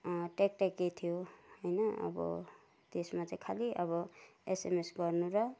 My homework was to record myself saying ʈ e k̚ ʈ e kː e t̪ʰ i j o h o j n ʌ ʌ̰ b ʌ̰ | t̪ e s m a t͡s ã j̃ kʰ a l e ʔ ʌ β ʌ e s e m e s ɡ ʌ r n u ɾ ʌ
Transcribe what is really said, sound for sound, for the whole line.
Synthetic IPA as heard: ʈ e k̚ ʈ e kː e t̪ʰ i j o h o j n ʌ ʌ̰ b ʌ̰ | t̪ e s m a t͡s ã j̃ kʰ a l i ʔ ʌ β ʌ e s e m e s ɡ ʌ r n u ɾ ʌ

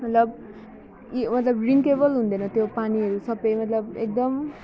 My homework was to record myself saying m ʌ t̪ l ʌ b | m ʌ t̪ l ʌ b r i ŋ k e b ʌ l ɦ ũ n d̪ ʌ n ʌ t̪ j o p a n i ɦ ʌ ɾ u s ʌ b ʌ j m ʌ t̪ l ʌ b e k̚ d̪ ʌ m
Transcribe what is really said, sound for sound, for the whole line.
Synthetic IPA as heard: m ʌ t̪ l ʌ b | m ʌ t̪ l ʌ b r i ŋ k e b ʌ l ɦ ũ n d̪ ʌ n ʌ t̪ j o p a n i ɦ ʌ ɾ u s ʌ b ʌ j m ʌ t̪ l ʌ b e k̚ d̪ ʌ m

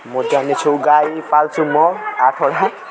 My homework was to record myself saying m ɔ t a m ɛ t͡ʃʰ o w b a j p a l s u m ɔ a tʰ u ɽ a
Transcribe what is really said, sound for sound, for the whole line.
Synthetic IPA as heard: m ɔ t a n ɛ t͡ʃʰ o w ɡ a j p a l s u m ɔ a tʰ ɔ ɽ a

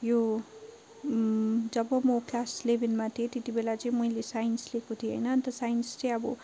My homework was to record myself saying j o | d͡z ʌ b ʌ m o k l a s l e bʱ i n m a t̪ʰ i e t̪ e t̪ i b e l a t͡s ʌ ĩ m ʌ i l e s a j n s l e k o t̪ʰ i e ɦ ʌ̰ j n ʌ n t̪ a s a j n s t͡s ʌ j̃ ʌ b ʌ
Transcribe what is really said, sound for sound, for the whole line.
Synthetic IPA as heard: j o | d͡z ʌ b ʌ m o k l a s l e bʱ i n m a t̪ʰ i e t̪ e t̪ i b e l a t͡s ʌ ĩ m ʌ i l e s a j n s l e k o t̪ʰ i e ɦ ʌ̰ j n ʌ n t̪ ʌ s a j n s t͡s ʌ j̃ ʌ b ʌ

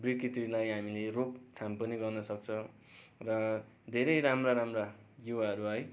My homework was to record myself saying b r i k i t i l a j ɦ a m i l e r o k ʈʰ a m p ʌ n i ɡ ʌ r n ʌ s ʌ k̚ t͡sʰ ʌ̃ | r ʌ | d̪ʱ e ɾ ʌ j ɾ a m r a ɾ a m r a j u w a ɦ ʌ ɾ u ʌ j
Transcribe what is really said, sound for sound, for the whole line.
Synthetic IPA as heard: b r i k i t i l a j ɦ a m i l e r o k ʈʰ a m p ʌ n i ɡ ʌ r n ʌ s ʌ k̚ t͡sʰ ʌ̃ | r ʌ | d̪ʱ e ɾ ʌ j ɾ a m r a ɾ a m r a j u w a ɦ ʌ ɾ u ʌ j

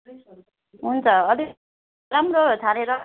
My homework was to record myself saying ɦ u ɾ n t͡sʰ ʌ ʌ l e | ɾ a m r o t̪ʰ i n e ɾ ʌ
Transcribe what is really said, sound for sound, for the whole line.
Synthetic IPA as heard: ɦ u n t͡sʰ ʌ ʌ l i | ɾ a m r o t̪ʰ a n e ɾ ʌ

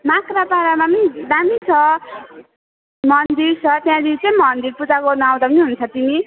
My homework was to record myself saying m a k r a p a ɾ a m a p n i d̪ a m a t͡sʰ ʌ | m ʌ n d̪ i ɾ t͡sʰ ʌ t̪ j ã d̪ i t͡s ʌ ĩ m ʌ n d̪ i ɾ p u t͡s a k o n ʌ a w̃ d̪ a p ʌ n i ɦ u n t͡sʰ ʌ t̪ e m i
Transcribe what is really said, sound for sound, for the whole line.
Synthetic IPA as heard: m a k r a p a ɾ a m a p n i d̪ a m i t͡sʰ ʌ | m ʌ n d̪ i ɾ t͡sʰ ʌ t̪ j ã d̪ i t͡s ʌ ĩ m ʌ n d̪ i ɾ p u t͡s a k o n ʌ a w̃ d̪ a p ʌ n i ɦ u n t͡sʰ ʌ t̪ i m i

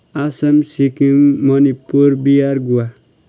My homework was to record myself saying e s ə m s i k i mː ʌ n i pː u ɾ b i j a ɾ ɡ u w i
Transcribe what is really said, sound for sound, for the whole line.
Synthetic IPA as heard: a s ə m s i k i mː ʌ n i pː u ɾ b i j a ɾ ɡ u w a

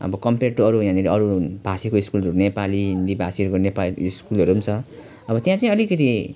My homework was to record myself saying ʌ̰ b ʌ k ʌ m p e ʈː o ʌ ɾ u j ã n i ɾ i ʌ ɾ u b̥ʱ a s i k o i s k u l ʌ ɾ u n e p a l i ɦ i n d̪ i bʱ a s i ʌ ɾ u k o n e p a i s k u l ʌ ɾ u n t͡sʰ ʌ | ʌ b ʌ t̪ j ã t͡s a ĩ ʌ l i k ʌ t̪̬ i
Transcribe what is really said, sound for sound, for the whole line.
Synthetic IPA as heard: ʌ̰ b ʌ k ʌ m p e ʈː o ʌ ɾ u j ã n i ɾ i ʌ ɾ u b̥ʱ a s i k o i s k u l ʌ ɾ u n e p a l i ɦ i n d̪ i bʱ a s i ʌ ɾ u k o n e p a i s k u l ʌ ɾ u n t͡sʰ ʌ | ʌ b ʌ t̪ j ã t͡s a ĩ ʌ l i k ʌ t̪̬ i

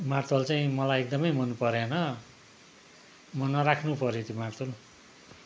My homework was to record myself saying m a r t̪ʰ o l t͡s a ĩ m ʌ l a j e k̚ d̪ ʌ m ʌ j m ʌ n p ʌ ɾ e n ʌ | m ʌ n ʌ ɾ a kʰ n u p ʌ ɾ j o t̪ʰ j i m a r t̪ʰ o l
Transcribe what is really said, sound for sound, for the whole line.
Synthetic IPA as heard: m a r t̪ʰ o l t͡s a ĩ m ʌ l a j e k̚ d̪ ʌ m ʌ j m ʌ n p ʌ ɾ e n ʌ | m ʌ n ʌ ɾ a kʰ n u p ʌ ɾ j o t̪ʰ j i m a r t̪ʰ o l

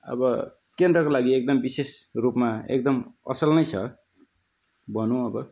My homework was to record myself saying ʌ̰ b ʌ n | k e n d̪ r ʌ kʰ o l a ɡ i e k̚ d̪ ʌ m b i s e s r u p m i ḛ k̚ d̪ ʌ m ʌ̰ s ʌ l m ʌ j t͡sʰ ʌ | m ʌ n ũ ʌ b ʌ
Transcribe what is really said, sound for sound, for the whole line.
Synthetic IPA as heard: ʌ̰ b ʌ | k e n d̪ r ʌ k o l a ɡ i e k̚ d̪ ʌ m b i s e s r u p m a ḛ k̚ d̪ ʌ m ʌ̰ s ʌ l n ʌ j t͡sʰ ʌ | b ʌ n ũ ʌ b ʌ

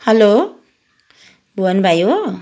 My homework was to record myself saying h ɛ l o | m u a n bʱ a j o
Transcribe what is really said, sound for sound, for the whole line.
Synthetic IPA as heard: h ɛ l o | b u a n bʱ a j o

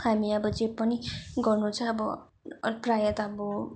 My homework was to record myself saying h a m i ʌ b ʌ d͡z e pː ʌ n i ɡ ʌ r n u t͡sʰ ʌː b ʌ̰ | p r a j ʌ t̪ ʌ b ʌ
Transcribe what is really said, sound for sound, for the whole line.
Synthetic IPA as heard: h a m i ʌ b ʌ d͡z e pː ʌ n i ɡ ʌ r n u t͡sʰ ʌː b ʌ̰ | p r a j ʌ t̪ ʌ b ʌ

